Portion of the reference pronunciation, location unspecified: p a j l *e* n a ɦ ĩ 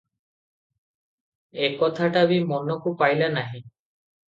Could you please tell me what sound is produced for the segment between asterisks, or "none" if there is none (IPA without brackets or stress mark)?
a